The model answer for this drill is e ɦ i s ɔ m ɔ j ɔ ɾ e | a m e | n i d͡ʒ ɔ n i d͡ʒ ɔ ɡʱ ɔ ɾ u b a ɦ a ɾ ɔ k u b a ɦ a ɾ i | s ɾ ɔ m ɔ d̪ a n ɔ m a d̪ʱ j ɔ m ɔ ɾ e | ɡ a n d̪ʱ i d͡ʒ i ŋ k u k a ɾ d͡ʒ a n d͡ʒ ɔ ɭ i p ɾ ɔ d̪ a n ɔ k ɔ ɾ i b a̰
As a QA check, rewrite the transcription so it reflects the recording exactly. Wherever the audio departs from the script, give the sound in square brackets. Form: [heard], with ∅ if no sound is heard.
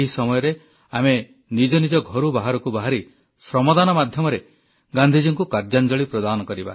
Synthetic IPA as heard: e ɦ i s ɔ m ɔ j ɔ ɾ e | a m e | n i d͡ʒ ɔ n i d͡ʒ ɔ ɡʱ ɔ ɾ u b a ɦ a ɾ ɔ k u b a ɦ a ɾ i | s ɾ ɔ m ɔ d̪ a n ɔ m a d̪ʱ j ɔ m ɔ ɾ e | ɡ a n d̪ʱ i d͡ʒ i ŋ k u k a ɾ d͡ʒ a n d͡ʒ ɔ ɭ i p ɾ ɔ d̪ a n ɔ k ɔ ɾ i b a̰